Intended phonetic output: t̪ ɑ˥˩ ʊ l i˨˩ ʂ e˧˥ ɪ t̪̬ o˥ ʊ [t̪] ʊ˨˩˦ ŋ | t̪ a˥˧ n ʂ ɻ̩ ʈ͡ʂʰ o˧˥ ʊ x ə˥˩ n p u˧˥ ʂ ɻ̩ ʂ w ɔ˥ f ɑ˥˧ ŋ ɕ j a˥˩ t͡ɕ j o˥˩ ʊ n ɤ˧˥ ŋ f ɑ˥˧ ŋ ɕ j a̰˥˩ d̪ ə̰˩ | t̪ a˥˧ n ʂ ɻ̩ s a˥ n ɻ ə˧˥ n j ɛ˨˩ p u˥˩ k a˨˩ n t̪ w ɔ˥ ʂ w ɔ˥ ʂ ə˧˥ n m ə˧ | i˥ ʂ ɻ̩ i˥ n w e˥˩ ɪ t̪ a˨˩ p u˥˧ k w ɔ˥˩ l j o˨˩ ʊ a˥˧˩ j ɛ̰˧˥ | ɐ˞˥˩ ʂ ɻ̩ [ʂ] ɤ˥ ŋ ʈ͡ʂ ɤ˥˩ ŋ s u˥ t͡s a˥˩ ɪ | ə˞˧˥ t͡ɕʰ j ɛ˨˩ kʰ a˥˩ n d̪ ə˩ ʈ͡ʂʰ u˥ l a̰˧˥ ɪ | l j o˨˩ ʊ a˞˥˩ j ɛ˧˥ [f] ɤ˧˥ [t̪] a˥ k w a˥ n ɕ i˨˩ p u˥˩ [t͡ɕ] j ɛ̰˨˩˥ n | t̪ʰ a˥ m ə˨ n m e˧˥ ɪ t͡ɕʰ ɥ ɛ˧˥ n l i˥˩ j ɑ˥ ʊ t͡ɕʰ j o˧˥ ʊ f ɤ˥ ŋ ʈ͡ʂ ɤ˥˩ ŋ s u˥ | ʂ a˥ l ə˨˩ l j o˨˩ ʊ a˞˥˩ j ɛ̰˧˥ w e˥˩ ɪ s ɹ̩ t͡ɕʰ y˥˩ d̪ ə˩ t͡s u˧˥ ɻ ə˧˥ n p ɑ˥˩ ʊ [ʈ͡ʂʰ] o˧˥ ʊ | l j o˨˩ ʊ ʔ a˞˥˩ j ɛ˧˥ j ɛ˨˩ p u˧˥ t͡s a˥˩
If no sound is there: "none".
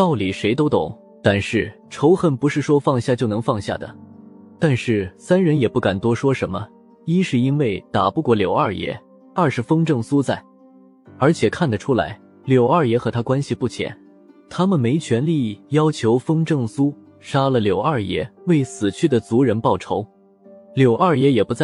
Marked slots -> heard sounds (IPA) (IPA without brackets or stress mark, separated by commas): t̪, f, x, t̪ʰ, t͡ɕʰ, ʈ͡ʂʰ